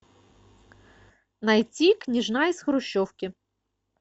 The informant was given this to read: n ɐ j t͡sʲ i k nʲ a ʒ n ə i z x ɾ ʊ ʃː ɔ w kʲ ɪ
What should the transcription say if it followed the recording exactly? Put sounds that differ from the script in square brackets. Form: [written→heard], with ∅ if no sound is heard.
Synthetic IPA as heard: n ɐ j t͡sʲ i k nʲ [a→i] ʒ n [ə→ɑ] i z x ɾ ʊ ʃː ɔ w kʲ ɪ